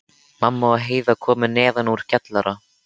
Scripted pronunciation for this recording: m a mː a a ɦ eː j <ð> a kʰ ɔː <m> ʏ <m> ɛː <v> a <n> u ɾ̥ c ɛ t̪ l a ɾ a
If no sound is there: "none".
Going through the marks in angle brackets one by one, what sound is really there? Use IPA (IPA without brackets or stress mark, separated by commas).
ð, m, n, ð, n